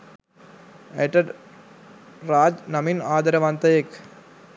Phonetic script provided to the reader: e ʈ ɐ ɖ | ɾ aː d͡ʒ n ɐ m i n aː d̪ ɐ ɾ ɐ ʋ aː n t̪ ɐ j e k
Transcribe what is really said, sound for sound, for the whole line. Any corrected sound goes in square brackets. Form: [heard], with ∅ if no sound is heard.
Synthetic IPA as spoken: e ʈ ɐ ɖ | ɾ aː d͡ʒ n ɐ m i n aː d̪ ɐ ɾ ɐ ʋ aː n t̪ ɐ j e k